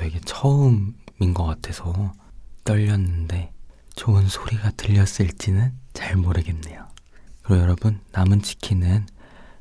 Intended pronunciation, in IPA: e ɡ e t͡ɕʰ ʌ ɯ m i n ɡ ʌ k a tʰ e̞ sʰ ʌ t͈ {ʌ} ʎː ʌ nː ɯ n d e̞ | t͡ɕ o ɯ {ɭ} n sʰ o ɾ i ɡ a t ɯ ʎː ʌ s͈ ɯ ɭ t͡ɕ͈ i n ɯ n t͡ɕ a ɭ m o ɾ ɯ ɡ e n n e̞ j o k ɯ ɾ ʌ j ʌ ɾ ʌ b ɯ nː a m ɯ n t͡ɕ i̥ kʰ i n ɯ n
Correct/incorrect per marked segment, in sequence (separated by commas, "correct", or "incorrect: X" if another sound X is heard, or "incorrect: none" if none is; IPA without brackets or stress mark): correct, incorrect: none